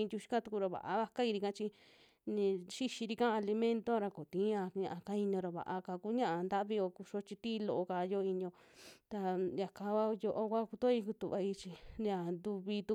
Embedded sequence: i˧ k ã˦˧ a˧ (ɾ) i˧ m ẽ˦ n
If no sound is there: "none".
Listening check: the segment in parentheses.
l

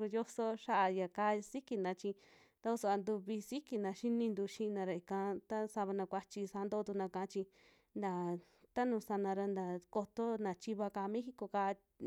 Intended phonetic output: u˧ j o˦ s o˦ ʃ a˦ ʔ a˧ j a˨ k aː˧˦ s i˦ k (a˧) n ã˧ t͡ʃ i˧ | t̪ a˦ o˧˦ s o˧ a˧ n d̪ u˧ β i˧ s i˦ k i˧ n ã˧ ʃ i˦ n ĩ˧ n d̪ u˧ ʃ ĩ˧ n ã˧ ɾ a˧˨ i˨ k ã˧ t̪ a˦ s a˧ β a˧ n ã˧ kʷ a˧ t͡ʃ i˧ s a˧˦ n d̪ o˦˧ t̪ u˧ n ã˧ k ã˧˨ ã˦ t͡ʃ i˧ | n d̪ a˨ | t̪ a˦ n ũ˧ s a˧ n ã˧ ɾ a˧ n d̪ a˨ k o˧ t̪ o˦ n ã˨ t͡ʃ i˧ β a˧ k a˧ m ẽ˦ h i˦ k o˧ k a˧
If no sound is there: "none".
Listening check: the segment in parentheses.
i˧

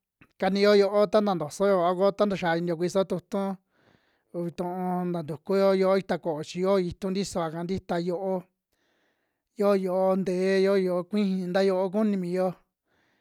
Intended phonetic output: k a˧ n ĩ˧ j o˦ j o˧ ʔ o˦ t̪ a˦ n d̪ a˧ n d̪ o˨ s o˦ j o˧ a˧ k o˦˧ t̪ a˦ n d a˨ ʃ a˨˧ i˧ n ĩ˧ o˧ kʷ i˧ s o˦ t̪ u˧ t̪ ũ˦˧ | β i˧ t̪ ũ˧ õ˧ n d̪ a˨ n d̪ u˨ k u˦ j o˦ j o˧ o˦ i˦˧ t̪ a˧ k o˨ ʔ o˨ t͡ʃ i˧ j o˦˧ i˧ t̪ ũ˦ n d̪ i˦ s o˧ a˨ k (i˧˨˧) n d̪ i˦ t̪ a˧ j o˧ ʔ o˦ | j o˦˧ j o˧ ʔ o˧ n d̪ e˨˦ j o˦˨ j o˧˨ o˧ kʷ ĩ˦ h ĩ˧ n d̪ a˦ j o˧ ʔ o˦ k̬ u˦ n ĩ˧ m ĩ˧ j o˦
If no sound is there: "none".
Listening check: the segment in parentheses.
a˧˨˧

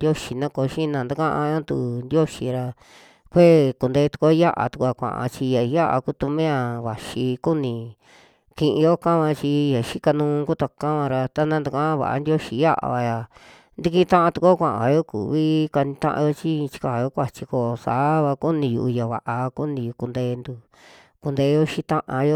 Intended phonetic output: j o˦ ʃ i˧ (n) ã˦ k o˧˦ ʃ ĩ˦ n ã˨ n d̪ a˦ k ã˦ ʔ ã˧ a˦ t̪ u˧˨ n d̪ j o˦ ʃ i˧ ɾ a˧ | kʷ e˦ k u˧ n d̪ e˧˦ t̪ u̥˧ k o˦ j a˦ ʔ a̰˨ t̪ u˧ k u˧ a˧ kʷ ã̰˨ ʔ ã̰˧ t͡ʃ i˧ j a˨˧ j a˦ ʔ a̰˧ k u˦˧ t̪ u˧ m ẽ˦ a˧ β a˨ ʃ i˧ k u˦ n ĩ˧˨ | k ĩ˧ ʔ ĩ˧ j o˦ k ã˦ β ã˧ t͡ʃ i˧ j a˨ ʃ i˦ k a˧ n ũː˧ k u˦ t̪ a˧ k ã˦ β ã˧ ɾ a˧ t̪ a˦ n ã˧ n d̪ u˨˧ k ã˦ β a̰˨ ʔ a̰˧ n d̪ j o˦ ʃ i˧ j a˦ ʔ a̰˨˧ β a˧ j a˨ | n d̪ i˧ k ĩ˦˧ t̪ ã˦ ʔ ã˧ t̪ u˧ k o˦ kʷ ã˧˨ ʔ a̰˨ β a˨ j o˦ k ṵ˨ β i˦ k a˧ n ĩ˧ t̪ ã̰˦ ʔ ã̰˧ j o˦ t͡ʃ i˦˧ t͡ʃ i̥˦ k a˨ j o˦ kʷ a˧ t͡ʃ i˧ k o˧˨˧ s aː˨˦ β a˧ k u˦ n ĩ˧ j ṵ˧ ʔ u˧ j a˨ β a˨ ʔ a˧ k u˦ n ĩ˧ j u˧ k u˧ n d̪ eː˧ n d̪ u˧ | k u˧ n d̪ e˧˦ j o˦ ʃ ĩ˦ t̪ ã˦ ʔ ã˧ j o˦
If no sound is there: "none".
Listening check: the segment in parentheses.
n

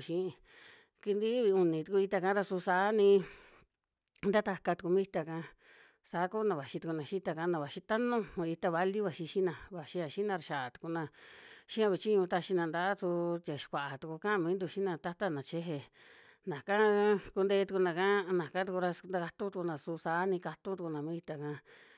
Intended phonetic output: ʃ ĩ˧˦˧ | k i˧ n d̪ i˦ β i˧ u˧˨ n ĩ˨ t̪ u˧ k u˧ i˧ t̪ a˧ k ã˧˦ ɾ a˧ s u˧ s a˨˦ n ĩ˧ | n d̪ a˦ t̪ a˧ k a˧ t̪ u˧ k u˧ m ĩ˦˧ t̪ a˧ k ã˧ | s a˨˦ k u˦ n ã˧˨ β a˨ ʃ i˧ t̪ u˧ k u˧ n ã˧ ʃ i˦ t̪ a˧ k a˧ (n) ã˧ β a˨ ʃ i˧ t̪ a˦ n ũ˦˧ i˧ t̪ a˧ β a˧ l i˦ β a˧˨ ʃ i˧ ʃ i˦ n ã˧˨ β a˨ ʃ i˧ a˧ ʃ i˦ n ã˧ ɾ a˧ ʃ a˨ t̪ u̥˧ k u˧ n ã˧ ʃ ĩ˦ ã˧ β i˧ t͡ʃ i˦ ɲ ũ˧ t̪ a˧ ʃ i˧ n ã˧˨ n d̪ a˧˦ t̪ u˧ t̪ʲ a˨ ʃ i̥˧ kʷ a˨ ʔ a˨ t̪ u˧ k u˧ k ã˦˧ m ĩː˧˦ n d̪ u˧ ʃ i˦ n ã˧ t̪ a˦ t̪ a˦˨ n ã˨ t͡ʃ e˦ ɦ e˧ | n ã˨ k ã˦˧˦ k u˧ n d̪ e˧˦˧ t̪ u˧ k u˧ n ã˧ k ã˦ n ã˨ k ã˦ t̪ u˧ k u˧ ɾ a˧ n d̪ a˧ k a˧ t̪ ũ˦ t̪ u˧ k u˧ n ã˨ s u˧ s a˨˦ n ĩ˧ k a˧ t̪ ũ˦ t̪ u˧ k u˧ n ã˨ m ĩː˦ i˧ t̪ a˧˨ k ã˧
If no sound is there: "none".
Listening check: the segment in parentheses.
n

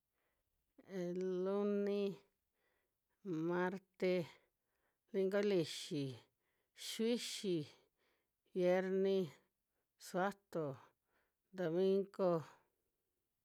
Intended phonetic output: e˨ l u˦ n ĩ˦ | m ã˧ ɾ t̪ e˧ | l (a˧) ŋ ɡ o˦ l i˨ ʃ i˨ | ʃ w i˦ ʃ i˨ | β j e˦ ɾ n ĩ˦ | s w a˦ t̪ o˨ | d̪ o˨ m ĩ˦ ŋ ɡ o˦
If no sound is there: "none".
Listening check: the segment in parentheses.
i˧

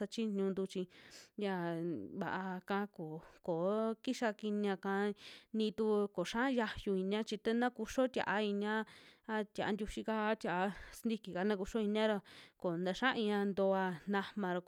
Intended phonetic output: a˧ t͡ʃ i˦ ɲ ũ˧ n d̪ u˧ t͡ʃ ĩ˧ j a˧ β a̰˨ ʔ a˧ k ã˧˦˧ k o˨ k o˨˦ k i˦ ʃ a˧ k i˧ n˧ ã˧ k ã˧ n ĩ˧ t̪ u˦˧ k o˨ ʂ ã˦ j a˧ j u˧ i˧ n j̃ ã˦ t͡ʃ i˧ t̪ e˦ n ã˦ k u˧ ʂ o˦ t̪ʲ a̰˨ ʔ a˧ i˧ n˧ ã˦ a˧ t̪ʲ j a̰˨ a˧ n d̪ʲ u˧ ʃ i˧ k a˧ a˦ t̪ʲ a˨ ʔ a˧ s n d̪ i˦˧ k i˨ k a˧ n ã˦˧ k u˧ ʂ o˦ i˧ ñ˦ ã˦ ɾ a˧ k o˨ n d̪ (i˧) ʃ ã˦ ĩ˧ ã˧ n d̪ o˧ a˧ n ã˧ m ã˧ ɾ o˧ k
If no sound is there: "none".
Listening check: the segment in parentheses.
a˧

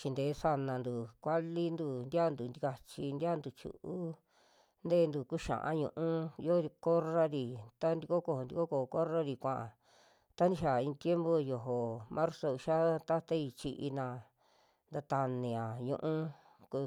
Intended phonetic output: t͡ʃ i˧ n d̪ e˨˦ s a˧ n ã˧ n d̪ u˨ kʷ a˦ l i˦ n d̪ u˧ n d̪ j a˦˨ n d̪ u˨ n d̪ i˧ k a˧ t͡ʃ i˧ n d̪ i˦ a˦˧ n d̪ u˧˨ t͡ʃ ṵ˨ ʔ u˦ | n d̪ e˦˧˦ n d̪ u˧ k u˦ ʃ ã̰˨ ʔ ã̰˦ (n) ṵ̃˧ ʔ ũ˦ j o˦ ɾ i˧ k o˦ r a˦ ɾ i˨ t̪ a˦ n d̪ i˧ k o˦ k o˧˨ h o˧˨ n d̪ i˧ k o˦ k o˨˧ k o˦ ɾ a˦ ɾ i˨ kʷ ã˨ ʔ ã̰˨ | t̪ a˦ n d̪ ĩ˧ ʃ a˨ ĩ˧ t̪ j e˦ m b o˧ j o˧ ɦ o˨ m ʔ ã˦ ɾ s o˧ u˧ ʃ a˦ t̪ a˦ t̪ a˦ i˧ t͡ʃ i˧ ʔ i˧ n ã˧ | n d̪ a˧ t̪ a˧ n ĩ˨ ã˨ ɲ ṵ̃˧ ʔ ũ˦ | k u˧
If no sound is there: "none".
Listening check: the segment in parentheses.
ɲ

